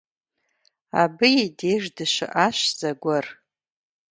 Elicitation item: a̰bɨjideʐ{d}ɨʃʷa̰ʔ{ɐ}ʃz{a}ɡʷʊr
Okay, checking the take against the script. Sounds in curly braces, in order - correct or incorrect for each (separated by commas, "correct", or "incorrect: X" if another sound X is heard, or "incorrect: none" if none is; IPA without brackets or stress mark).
correct, incorrect: a, correct